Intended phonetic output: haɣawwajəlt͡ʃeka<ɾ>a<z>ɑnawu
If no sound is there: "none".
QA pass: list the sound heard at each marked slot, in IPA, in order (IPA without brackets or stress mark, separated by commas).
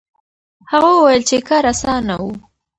ɾ, s